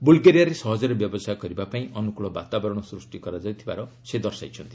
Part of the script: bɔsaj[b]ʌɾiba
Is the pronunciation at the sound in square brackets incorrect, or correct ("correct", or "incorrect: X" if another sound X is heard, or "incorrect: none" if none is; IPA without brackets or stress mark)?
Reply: incorrect: ɡ